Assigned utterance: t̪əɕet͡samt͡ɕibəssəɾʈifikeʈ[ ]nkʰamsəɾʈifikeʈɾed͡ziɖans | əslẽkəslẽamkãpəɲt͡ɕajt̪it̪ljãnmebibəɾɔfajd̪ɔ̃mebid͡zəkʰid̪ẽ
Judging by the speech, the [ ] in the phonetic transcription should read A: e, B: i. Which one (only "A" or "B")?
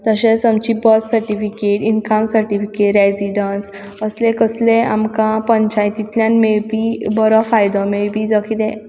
B